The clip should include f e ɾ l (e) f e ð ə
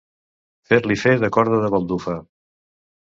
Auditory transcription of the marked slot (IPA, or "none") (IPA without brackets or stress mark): i